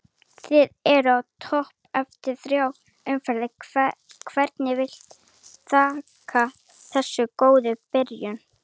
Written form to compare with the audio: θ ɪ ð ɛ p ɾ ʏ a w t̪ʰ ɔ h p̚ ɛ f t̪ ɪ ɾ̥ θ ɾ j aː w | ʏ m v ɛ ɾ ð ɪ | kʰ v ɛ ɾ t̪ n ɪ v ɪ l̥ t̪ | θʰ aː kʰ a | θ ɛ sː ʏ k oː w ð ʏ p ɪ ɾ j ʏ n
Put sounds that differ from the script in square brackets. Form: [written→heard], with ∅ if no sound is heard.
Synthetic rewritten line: θ ɪ ð ɛ [p→∅] ɾ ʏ a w t̪ʰ ɔ h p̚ ɛ f t̪ ɪ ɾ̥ θ ɾ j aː w | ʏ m [v→f] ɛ ɾ ð ɪ | kʰ v ɛ ɾ t̪ n ɪ v ɪ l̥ t̪ | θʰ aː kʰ a | θ ɛ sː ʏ k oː w ð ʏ p ɪ ɾ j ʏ n

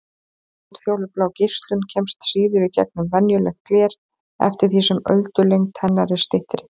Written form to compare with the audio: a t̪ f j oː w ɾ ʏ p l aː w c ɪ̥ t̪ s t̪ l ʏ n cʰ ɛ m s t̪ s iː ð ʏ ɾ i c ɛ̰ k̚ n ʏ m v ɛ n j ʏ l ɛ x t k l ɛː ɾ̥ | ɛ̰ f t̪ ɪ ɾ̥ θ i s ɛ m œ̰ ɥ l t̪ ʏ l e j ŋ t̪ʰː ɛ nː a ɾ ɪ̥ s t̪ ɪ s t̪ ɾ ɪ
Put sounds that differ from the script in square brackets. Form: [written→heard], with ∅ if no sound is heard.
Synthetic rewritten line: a t̪ f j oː w [ɾ→l] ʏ p l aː w c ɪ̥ [t̪→∅] s t̪ l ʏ n cʰ ɛ m s t̪ s iː ð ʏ ɾ i c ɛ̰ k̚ n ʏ m v ɛ n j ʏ l ɛ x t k l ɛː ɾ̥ | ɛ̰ f t̪ ɪ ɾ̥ θ i s ɛ m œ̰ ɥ l t̪ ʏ l e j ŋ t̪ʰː ɛ nː a ɾ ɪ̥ s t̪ ɪ [s→h] t̪ ɾ ɪ

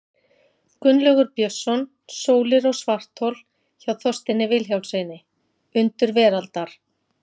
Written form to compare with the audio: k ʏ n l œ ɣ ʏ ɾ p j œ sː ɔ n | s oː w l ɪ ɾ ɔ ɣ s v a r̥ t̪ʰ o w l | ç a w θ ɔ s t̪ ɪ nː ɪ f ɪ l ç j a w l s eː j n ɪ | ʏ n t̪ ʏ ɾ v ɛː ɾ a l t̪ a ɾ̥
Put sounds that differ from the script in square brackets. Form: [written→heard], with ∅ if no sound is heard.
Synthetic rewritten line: k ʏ n l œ ɣ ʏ ɾ p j œ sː ɔ n | s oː w l ɪ ɾ ɔ ɣ s v a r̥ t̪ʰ o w l | ç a w θ ɔ s t̪ ɪ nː ɪ [f→v] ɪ l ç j a w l s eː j n ɪ | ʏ n t̪ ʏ ɾ v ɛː ɾ a l t̪ a ɾ̥

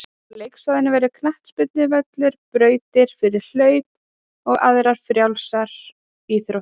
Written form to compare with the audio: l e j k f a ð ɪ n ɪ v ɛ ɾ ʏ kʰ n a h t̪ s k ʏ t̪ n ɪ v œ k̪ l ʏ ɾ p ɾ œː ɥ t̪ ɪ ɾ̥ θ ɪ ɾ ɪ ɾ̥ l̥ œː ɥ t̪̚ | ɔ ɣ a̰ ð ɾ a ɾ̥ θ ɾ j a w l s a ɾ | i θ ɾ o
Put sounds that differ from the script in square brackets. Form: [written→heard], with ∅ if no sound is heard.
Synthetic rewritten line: l e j k [f→s] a ð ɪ n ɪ v ɛ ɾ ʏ kʰ n a h t̪ s [k→p] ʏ t̪ n ɪ v œ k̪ l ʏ ɾ p ɾ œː ɥ t̪ ɪ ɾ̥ [θ→f] ɪ ɾ ɪ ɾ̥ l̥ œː ɥ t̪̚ | ɔ ɣ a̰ ð ɾ a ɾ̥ [θ→f] ɾ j a w l s a ɾ | i θ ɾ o

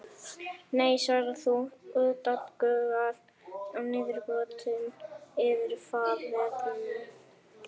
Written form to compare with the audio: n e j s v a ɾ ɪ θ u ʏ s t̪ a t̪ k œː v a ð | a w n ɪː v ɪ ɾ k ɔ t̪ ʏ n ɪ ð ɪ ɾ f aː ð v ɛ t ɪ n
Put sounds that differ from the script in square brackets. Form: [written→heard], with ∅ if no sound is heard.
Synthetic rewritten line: n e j s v a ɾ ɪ θ u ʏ [s→∅] t̪ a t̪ k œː [v→ɣ] a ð | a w n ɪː [v→ð] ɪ ɾ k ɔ t̪ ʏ n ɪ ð ɪ ɾ f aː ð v ɛ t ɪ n

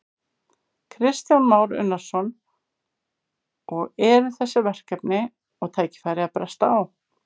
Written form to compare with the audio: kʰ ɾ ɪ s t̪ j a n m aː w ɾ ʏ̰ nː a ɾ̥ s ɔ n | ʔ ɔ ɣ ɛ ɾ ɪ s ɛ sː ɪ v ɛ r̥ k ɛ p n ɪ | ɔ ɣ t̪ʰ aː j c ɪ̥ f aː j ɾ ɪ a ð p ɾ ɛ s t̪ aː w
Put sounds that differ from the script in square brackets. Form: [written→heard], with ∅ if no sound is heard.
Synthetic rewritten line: kʰ ɾ ɪ s t̪ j a n m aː w ɾ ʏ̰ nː a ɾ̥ s ɔ n | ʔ ɔ ɣ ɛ ɾ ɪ [s→θ] ɛ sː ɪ v ɛ r̥ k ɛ p n ɪ | ɔ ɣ t̪ʰ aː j c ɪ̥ f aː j ɾ ɪ a ð p ɾ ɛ s t̪ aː w

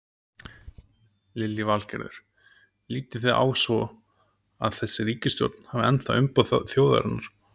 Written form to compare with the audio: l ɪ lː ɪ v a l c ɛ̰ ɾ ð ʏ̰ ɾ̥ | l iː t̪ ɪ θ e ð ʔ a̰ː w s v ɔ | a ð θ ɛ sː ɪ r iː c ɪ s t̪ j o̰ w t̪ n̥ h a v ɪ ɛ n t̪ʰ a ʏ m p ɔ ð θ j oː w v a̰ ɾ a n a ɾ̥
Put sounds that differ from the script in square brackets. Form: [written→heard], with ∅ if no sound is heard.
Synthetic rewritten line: l ɪ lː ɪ v a l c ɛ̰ ɾ ð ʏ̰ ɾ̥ | l iː t̪ ɪ θ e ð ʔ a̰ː w s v ɔ | a ð θ ɛ sː ɪ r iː c ɪ s t̪ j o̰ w t̪ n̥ h a v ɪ ɛ n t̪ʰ a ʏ m p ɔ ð θ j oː w [v→ð] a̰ ɾ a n a ɾ̥

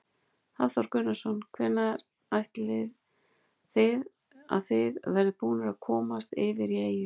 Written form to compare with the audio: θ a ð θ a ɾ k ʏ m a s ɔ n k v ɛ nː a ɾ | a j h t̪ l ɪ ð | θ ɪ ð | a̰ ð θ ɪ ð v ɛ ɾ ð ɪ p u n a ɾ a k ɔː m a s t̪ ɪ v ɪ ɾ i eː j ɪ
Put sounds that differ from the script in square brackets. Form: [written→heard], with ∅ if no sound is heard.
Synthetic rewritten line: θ a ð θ a ɾ k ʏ [m→n] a s ɔ n [k→kʰ] v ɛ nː a ɾ | a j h t̪ l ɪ ð | θ ɪ ð | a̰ ð θ ɪ ð v ɛ ɾ ð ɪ p [u→uː] n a ɾ a [k→kʰ] ɔː m a s t̪ ɪ v ɪ ɾ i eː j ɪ

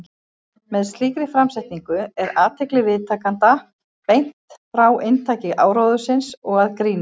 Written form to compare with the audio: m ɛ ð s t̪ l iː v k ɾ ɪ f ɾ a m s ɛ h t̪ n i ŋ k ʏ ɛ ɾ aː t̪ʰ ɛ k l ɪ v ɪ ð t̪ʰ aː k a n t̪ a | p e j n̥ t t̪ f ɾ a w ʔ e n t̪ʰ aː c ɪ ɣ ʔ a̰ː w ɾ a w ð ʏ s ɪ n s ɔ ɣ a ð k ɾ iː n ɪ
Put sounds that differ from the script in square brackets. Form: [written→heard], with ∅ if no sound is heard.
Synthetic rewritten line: m ɛ ð s t̪ l iː [v→∅] k ɾ ɪ f ɾ a m s ɛ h t̪ n i ŋ k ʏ ɛ ɾ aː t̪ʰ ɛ k l ɪ v ɪ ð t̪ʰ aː k a n t̪ a | p e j n̥ t t̪ f ɾ a w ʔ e n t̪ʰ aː c ɪ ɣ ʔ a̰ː w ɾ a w ð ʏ s ɪ n s ɔ ɣ a ð k ɾ iː n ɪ

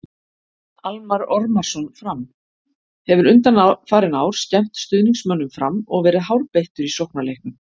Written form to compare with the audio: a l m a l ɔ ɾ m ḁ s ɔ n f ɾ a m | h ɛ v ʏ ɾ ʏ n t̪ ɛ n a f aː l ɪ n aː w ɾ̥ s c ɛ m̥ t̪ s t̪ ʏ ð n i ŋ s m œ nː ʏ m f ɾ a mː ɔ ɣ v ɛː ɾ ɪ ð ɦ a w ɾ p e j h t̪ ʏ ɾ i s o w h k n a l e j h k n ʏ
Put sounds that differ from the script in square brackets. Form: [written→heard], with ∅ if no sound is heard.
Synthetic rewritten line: a l m a [l→ɾ] ɔ ɾ m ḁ s ɔ n f ɾ a m | h ɛ v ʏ ɾ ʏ n t̪ [ɛ→a] n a f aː [l→ɾ] ɪ n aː w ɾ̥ s c ɛ m̥ t̪ s t̪ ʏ ð n i ŋ s m œ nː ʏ m f ɾ a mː ɔ ɣ v ɛː ɾ ɪ ð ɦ a w ɾ p e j h t̪ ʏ ɾ i s o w h k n a l e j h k n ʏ

